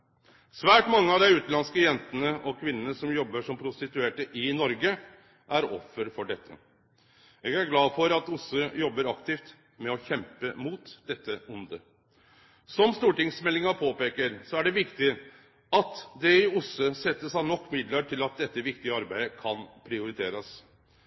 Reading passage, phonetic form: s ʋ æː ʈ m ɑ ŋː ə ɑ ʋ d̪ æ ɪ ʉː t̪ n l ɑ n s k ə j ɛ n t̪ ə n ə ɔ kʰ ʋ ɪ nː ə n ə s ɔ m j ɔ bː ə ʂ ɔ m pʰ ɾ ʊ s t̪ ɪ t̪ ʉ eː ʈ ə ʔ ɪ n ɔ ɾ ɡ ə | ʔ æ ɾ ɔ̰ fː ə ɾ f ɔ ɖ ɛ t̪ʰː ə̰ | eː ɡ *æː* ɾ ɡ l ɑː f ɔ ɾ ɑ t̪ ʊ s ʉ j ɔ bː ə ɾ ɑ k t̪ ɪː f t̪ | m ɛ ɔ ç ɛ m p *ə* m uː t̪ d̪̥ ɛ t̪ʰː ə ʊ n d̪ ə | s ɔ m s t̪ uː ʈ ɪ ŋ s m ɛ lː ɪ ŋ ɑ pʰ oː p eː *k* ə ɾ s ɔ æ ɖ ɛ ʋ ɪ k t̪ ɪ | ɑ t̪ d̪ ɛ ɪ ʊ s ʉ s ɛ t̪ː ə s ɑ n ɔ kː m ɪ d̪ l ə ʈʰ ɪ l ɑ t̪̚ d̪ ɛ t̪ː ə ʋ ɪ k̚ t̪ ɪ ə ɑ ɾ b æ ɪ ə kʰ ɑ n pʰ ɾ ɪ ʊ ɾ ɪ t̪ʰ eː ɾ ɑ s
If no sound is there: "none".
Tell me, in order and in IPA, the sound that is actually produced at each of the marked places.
æ, ə, k

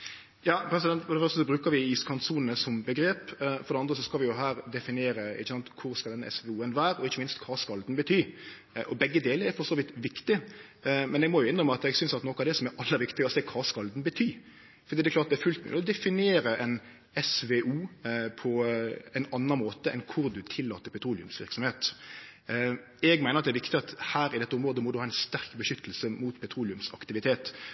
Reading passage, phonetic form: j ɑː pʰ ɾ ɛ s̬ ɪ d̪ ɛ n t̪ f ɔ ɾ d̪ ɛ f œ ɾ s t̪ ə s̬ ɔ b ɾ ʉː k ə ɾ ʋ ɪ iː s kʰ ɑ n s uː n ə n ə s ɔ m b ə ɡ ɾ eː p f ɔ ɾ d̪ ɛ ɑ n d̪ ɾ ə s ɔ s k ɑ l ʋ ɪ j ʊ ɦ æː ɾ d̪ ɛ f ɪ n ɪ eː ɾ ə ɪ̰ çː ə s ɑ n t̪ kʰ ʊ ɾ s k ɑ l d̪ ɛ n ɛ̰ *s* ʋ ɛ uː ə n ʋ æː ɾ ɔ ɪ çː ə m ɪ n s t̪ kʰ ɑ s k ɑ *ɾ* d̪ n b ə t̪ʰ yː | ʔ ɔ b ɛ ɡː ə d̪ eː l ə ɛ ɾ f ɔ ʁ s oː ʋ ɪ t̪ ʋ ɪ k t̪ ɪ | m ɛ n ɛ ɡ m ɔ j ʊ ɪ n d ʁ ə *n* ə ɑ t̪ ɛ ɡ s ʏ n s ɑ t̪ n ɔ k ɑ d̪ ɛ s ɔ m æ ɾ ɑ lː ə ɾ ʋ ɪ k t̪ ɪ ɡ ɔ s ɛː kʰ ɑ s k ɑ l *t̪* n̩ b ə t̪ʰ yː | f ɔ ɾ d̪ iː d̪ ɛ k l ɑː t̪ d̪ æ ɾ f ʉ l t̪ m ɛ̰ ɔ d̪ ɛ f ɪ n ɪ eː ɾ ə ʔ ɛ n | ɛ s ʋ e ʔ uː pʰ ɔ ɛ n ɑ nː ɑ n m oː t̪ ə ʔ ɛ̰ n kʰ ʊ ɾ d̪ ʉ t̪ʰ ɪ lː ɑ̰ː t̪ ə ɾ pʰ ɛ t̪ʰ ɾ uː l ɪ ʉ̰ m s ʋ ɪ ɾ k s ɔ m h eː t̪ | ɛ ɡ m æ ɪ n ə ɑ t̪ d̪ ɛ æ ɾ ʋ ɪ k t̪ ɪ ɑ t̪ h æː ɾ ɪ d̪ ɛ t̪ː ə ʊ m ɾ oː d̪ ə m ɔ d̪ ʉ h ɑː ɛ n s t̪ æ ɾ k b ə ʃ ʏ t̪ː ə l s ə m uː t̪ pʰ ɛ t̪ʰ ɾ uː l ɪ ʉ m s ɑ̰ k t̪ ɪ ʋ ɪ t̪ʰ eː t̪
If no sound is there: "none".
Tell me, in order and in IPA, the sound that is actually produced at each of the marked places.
s, l, m, d̪

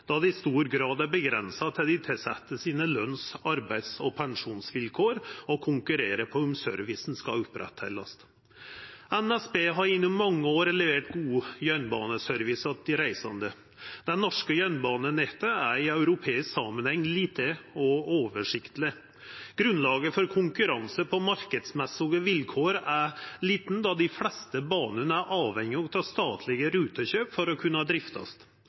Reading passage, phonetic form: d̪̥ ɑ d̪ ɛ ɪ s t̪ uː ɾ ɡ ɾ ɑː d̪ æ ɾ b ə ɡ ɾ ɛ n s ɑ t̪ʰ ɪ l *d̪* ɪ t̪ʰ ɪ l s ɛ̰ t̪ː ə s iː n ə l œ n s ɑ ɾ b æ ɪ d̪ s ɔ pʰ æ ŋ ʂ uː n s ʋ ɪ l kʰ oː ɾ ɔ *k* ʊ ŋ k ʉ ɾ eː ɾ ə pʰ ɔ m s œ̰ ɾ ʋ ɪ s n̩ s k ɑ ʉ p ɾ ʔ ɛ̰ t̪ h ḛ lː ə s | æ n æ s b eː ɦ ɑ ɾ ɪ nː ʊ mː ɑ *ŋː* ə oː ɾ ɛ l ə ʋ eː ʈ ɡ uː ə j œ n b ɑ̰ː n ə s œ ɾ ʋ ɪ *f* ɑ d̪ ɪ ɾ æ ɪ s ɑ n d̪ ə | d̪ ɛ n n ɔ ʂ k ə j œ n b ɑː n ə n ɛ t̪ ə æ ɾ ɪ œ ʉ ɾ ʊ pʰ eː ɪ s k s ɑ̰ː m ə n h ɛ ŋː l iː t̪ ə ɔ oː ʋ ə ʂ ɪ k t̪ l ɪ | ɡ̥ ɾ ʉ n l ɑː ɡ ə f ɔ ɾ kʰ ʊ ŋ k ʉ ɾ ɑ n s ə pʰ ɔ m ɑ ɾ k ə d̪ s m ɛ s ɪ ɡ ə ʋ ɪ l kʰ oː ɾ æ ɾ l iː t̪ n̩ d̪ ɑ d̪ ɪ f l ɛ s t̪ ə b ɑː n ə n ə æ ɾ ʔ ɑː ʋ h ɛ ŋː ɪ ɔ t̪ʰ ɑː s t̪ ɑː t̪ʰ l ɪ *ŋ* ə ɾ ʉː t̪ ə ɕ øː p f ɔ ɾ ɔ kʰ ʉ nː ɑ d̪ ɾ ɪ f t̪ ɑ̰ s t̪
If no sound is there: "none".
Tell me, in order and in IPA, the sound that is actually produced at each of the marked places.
d̪, kʰ, ŋː, s, ɡ

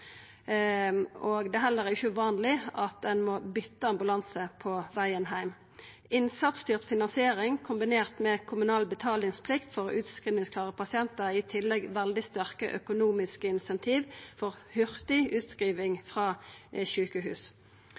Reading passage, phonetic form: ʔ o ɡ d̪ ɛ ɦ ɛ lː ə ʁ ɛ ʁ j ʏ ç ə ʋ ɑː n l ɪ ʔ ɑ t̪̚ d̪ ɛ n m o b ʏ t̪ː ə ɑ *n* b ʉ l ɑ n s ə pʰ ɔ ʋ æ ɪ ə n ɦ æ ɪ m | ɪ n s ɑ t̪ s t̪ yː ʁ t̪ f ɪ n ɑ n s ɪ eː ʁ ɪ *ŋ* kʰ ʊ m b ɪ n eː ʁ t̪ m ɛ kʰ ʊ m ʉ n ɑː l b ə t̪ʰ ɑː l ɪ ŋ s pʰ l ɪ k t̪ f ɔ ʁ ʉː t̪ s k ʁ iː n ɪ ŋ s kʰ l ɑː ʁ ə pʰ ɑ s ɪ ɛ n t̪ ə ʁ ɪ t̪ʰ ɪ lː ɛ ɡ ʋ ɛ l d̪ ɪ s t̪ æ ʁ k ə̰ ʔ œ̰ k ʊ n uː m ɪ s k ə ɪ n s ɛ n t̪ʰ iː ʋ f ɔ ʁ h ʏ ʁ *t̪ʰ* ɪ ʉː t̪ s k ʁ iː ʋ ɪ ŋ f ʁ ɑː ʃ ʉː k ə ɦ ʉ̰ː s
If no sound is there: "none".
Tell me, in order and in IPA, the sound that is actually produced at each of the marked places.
m, ŋ, t̪

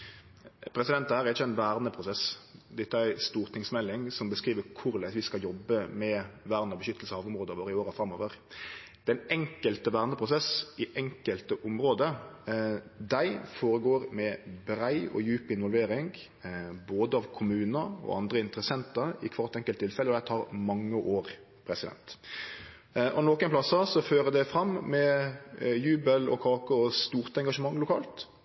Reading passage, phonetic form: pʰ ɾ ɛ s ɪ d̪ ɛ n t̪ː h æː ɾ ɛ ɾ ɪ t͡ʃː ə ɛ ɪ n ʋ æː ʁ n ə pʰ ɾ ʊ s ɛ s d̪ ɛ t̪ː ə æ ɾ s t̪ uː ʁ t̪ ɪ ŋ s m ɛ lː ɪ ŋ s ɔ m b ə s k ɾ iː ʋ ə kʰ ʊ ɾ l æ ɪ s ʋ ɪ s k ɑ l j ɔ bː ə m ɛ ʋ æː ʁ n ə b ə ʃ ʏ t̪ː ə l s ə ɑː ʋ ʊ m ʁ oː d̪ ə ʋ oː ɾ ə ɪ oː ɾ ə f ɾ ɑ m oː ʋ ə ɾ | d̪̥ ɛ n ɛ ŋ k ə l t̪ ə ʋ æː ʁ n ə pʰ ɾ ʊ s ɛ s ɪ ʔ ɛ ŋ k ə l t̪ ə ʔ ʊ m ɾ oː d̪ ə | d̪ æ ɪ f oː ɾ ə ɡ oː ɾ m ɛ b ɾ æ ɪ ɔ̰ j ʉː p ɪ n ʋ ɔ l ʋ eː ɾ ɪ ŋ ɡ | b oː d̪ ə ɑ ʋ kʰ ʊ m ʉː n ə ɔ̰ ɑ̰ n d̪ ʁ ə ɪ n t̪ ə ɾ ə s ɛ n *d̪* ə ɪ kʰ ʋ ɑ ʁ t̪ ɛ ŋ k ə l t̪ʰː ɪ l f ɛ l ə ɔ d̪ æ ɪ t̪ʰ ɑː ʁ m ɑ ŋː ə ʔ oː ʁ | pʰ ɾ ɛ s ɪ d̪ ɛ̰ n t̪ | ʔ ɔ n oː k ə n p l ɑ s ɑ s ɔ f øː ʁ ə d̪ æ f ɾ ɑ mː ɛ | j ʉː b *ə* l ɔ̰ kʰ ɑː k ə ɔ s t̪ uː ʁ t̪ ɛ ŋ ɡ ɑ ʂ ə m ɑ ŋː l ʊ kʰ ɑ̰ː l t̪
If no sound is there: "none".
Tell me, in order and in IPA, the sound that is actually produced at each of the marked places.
t̪, ə

